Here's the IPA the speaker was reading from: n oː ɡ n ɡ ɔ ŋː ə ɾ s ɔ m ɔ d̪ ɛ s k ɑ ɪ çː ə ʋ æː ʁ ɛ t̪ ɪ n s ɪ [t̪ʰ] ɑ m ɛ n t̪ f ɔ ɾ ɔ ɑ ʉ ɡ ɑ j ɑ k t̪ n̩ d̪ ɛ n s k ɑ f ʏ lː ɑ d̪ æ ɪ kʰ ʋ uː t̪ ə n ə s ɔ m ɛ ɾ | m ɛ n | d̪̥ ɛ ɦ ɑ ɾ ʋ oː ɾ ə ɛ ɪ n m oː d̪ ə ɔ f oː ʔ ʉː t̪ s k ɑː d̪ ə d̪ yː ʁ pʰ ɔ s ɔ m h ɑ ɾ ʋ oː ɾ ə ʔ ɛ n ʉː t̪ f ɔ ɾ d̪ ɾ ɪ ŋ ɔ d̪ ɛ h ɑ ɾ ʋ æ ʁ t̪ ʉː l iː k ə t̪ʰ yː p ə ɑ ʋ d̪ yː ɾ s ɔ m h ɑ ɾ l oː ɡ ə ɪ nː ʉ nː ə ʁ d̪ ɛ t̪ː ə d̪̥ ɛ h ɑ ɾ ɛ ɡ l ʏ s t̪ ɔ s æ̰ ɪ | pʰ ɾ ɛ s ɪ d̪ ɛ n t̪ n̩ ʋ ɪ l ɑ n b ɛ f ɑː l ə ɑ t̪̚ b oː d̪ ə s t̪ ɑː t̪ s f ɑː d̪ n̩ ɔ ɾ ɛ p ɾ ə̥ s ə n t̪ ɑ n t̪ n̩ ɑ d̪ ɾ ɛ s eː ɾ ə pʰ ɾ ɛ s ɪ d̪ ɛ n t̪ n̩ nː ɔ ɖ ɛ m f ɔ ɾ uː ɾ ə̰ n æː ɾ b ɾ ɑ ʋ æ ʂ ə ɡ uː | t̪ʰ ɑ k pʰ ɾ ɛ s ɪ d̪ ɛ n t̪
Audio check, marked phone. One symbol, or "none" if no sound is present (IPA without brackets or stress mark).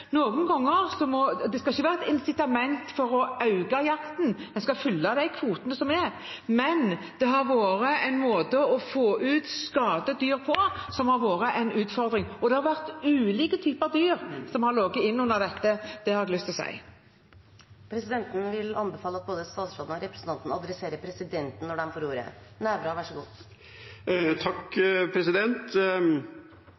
t̪